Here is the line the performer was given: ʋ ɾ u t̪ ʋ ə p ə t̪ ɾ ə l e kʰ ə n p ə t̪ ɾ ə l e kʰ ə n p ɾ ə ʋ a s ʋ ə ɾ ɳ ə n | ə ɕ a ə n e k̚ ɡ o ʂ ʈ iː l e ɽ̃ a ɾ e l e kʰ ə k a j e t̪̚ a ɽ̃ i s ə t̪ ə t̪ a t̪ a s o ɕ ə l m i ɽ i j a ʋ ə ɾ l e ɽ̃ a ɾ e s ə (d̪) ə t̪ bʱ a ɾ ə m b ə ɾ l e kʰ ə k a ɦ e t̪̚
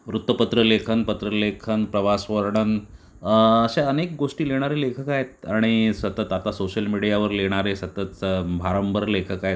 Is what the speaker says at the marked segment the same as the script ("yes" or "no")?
no